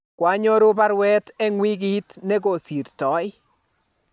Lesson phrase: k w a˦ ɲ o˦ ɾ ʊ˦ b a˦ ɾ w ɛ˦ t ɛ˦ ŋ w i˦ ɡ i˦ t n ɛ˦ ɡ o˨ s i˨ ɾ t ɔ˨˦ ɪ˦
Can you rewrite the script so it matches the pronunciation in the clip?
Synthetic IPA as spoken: k w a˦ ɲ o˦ ɾ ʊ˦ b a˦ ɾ w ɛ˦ t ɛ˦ ŋ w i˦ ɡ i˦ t n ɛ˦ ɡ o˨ s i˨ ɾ t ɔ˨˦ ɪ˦